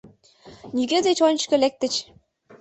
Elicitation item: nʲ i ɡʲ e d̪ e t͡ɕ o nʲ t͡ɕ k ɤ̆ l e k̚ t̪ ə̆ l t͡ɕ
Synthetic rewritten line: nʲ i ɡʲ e d̪ e t͡ɕ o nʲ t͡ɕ k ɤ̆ l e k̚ t̪ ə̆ t͡ɕ